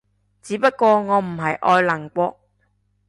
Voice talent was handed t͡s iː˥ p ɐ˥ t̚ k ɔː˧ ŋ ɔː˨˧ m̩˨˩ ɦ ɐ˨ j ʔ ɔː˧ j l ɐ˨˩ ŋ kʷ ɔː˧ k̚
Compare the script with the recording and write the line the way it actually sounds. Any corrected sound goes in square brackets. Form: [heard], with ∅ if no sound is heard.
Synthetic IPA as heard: t͡s [iː˨˧˥] p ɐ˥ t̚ k ɔː˧ ŋ ɔː˨˧ m̩˨˩ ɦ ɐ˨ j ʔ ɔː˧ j l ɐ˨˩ ŋ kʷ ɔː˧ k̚